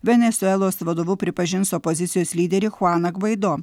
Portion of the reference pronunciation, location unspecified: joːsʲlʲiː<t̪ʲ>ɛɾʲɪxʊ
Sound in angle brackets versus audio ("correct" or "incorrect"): incorrect